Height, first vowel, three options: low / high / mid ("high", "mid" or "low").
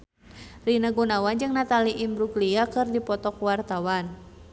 high